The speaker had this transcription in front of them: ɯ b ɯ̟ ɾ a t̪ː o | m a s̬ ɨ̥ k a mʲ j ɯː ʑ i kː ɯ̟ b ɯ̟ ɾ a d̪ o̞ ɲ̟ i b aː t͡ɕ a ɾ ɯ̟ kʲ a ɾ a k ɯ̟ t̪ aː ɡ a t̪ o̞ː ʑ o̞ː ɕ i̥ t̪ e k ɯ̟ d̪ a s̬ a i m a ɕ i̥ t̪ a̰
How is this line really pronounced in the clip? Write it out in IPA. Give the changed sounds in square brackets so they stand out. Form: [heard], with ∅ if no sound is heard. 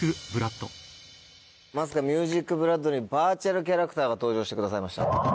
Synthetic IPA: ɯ b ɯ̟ ɾ a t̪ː o | m a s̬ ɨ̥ k a mʲ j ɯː ʑ i kː ɯ̟ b ɯ̟ ɾ a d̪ o̞ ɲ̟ i b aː t͡ɕ a ɾ ɯ̟ kʲ a ɾ a k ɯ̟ t̪ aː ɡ a t̪ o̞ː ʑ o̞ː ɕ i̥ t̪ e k ɯ̟ d̪ a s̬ a i m a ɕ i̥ t̪ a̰